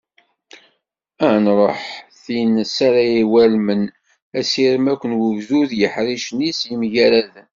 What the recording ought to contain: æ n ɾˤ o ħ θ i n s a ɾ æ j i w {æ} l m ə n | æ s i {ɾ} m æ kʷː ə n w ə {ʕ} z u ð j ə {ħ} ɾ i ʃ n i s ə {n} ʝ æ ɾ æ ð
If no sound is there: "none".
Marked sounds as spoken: æ, ɾ, v, ħ, m

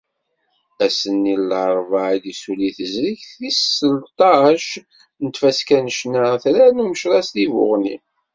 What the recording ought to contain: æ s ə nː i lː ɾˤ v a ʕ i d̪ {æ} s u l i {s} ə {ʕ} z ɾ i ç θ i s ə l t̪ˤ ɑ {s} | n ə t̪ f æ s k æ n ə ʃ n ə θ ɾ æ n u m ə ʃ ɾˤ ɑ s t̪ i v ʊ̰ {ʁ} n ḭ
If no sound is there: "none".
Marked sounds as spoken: i, θ, none, ʃ, ʁ

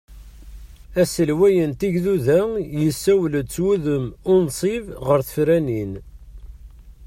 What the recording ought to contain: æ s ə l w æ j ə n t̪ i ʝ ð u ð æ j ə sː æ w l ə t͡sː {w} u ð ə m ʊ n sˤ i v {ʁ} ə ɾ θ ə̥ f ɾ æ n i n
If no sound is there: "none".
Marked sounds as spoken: w, ʁ

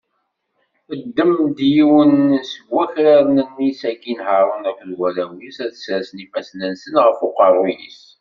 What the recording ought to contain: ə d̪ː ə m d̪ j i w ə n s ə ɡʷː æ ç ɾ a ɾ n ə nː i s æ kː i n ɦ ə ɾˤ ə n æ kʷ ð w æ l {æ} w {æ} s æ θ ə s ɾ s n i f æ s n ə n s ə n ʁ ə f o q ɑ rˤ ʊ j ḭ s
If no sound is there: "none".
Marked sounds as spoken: æ, i

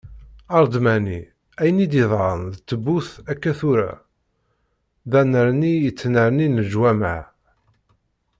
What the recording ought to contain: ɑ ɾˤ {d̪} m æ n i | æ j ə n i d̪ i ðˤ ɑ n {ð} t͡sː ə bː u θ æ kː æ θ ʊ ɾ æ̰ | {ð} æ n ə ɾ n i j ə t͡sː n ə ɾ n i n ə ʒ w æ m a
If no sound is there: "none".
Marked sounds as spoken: d̪, ð, ð

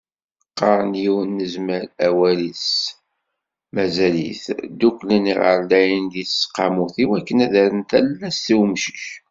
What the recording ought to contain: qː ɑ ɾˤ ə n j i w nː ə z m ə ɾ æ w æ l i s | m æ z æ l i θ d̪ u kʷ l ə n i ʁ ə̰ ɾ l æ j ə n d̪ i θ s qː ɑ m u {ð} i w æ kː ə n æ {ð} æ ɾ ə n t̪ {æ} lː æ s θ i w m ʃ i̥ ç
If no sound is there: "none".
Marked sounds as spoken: θ, ð, æ

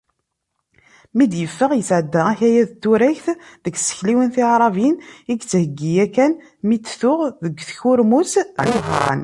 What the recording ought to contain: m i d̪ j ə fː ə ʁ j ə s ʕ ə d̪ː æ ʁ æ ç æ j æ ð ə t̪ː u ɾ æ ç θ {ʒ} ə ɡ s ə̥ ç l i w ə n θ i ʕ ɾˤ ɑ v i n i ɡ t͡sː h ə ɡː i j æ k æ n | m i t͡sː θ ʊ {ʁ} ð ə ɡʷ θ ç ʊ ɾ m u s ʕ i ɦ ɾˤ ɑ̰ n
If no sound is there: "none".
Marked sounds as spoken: ð, ʁ

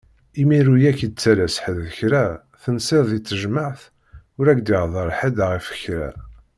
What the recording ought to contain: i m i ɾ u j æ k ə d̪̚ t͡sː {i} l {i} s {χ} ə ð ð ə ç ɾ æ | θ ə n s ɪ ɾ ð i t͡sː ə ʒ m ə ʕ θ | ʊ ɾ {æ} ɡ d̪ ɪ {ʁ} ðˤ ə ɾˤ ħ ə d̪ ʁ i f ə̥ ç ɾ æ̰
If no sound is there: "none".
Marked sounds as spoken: æ, æ, ħ, æ, ʁ

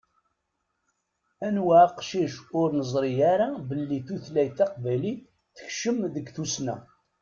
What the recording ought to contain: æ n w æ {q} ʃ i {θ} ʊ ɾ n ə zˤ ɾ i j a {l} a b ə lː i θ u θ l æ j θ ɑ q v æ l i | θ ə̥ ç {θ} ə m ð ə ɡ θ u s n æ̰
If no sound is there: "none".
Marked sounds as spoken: q, ʃ, ɾ, ʃ

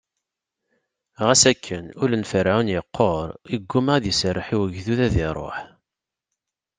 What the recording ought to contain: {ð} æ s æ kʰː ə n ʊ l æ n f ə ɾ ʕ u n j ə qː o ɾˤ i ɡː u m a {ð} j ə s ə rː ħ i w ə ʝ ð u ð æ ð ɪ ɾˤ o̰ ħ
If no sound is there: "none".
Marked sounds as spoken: ʁ, ð

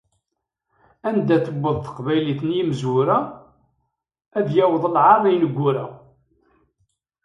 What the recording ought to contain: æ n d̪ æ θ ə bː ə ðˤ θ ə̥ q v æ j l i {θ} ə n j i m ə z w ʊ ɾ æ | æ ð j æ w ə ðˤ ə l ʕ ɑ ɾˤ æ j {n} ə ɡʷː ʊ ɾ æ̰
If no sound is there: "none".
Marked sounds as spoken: θ, n

